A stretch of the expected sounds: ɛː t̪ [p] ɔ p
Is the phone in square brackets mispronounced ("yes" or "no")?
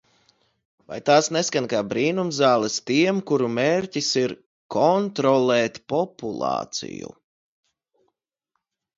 no